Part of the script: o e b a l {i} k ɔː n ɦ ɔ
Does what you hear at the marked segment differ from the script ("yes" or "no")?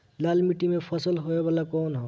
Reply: yes